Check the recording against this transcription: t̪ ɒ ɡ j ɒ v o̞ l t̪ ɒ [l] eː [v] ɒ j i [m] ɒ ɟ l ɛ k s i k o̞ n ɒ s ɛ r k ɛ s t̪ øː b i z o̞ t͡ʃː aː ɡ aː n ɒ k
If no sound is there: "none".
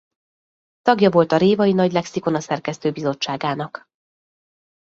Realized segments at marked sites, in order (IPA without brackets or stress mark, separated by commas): ɾ, v, n